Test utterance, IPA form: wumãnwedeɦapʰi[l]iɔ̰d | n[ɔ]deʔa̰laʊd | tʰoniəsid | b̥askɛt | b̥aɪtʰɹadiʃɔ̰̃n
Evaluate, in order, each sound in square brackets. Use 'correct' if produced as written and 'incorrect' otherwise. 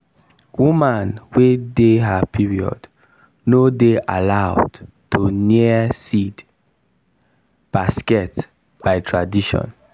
incorrect, incorrect

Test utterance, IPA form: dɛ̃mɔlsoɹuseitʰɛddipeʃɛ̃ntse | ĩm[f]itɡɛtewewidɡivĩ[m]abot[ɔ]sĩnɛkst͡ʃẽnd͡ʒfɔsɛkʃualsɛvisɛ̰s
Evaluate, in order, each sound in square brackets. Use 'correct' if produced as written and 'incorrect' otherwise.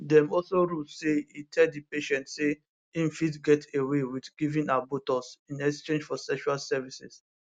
correct, incorrect, correct

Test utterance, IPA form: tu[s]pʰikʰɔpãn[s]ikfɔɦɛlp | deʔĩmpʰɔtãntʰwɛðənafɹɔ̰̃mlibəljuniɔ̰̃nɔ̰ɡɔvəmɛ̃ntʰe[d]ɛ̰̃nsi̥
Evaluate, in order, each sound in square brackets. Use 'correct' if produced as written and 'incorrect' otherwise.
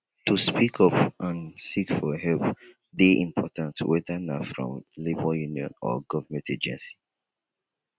correct, correct, incorrect

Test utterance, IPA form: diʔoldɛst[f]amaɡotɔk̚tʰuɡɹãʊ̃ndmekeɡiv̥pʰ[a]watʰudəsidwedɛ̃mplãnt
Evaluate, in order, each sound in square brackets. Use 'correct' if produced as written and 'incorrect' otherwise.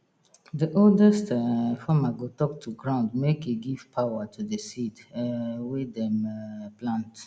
correct, correct

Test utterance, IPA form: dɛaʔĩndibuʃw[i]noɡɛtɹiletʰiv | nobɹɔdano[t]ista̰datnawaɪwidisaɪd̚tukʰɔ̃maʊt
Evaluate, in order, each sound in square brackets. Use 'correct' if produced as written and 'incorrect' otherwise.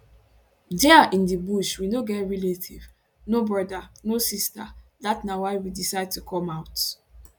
correct, incorrect

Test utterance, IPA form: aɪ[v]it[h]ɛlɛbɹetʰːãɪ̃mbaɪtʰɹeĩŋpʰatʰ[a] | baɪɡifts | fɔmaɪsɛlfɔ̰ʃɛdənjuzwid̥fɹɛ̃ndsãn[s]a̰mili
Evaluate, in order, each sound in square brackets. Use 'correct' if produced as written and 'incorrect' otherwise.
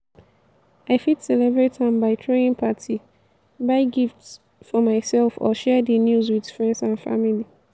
incorrect, incorrect, incorrect, incorrect

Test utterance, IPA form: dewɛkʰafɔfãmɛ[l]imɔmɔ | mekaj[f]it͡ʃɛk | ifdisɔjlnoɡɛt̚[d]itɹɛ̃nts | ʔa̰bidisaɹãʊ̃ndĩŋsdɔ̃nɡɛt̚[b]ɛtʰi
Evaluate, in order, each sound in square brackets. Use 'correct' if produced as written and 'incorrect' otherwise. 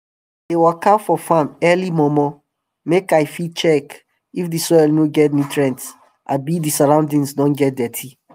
correct, correct, incorrect, incorrect

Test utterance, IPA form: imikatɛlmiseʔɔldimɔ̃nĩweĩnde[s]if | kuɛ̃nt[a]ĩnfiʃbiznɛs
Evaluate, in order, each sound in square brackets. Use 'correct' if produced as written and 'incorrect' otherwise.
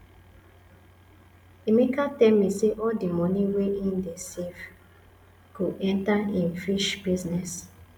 correct, correct

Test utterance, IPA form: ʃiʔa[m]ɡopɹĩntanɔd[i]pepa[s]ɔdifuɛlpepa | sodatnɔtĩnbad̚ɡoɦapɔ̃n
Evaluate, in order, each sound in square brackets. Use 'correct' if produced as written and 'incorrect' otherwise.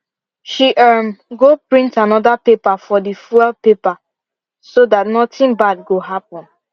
correct, incorrect, incorrect

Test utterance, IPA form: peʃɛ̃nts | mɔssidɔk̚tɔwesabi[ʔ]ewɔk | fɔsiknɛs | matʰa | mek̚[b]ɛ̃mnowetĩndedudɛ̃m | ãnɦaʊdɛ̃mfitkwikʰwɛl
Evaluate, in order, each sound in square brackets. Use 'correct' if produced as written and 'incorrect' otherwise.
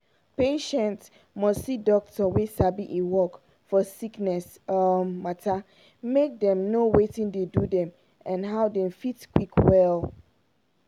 correct, incorrect

